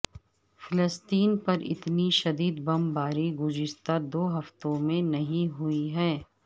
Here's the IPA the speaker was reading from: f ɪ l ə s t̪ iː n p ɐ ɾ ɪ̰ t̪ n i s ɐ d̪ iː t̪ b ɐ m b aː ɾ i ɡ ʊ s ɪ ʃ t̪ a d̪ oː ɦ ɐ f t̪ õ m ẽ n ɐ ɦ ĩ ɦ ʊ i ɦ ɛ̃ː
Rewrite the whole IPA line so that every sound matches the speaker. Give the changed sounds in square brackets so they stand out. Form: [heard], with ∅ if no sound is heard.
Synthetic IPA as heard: f ɪ l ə s t̪ iː n p ɐ ɾ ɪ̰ t̪ n i [ʃ] ɐ d̪ iː [d̪] b ɐ m b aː ɾ i ɡ ʊ [z] ɪ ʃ t̪ a d̪ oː ɦ ɐ f t̪ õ m ẽ n ɐ ɦ ĩ ɦ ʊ i ɦ [ɛː]

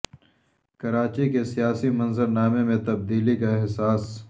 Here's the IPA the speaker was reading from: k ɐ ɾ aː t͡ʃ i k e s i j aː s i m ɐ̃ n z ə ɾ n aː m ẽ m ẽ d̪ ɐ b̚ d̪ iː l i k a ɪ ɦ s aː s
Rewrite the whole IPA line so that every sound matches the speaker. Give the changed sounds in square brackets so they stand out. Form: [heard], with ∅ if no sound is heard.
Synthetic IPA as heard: k ɐ ɾ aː t͡ʃ i k e s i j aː s i m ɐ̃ n z ə ɾ n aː m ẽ m ẽ [t̪] ɐ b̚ d̪ iː l i k a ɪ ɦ s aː s

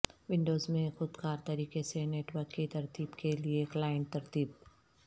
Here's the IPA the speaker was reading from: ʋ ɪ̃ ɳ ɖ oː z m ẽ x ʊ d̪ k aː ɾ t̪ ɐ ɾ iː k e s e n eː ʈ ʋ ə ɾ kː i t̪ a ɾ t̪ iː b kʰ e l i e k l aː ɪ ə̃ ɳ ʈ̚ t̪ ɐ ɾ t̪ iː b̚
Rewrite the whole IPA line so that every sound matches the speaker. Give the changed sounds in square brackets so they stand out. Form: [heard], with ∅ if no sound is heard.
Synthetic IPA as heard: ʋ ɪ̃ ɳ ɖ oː z m ẽ x ʊ d̪ k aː ɾ t̪ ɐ ɾ iː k e s e n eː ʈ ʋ ə ɾ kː i t̪ [ɐ] ɾ t̪ iː b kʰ e l i e k l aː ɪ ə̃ ɳ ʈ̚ t̪ ɐ ɾ t̪ iː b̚

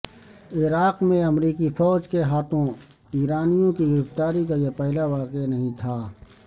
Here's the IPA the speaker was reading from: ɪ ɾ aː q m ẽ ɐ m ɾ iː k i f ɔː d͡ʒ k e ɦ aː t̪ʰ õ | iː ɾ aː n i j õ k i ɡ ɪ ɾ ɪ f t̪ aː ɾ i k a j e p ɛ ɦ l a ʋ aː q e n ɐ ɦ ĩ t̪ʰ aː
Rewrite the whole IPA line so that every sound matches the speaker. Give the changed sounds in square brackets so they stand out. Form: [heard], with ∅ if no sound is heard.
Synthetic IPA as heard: ɪ ɾ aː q m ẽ ɐ m ɾ iː k i f ɔː d͡ʒ k e ɦ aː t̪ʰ õ | iː ɾ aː n i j õ k i ɡ ɪ ɾ ɪ f t̪ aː ɾ i k a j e p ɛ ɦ l a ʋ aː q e n ɐ ɦ ĩ t̪ʰ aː

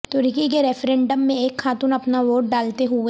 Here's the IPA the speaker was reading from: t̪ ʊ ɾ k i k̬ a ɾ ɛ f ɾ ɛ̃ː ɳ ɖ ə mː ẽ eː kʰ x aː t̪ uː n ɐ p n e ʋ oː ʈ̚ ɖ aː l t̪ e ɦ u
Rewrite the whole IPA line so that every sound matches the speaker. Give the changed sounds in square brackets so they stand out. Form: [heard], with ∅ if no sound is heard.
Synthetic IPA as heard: t̪ ʊ ɾ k i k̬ [e] ɾ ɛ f ɾ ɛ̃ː ɳ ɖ ə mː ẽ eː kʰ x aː t̪ uː n ɐ p n [a] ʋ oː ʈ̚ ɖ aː l t̪ e ɦ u

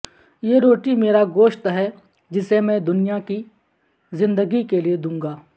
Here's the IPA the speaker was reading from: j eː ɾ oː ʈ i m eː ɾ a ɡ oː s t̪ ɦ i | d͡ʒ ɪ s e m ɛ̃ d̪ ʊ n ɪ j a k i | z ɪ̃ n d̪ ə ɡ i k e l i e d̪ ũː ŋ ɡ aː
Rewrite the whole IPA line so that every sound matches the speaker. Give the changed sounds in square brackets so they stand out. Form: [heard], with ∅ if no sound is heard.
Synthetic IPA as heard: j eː ɾ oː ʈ i m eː ɾ a ɡ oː [ʃ] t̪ ɦ [ɛ] | d͡ʒ ɪ s e m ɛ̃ d̪ ʊ n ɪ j a k i | z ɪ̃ n d̪ ə ɡ i k e l i e d̪ ũː ŋ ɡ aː

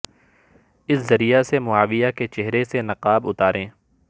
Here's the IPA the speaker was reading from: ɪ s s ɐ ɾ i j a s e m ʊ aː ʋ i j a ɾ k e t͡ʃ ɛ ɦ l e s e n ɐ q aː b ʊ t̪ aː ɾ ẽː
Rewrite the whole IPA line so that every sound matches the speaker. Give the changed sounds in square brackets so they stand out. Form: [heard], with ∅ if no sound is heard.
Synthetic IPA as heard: ɪ s [z] ɐ ɾ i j a s e m ʊ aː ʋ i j a [∅] k e t͡ʃ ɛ ɦ [ɾ] e s e n ɐ q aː b ʊ t̪ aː ɾ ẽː

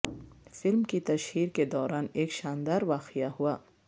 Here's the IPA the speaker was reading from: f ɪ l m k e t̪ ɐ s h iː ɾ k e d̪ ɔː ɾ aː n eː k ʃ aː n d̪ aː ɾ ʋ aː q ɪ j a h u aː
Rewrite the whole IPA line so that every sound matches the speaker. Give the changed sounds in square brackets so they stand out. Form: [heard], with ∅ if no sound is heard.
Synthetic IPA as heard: f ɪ l m k [i] t̪ ɐ [ʃ] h iː ɾ k e d̪ ɔː ɾ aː n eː k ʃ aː n d̪ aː ɾ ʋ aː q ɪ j a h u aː

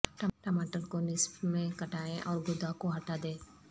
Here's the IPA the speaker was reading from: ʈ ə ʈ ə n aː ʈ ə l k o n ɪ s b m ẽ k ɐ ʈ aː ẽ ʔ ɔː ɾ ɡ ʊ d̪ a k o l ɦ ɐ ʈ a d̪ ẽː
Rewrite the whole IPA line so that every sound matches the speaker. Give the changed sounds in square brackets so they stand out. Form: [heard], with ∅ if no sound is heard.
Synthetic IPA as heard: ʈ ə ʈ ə [m] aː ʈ ə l k o n ɪ s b m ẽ k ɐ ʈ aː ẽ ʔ ɔː ɾ ɡ ʊ d̪ a k o [∅] ɦ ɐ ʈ a d̪ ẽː

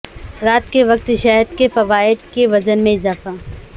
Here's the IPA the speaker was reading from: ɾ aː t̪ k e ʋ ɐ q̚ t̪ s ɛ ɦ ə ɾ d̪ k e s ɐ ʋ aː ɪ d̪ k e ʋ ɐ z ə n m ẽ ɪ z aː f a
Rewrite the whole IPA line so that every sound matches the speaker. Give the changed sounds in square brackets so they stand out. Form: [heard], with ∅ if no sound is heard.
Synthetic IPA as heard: ɾ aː t̪ k e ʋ ɐ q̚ t̪ [ʃ] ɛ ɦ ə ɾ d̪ k e [f] ɐ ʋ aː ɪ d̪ k e ʋ ɐ z ə n m ẽ ɪ z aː f a

